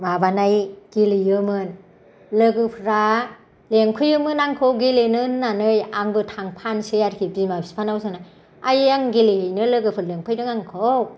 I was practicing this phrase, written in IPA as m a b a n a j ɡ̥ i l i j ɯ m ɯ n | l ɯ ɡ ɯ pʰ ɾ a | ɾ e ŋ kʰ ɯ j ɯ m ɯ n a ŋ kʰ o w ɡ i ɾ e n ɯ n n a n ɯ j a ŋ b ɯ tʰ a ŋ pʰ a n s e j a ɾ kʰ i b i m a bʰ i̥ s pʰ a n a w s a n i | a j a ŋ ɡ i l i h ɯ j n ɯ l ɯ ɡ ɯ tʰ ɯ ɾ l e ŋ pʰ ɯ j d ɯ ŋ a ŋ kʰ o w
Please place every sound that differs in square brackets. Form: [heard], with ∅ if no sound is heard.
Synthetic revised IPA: m a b a n a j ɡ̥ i l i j ɯ m ɯ n | l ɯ ɡ ɯ pʰ ɾ a | [l] e ŋ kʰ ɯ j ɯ m ɯ n a ŋ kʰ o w ɡ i [l] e n ɯ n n a n ɯ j a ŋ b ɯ tʰ a ŋ pʰ a n s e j a ɾ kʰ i b i m a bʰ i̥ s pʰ a n a w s a n [a] | a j a ŋ ɡ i l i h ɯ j n ɯ l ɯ ɡ ɯ [pʰ] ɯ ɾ l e ŋ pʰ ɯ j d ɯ ŋ a ŋ kʰ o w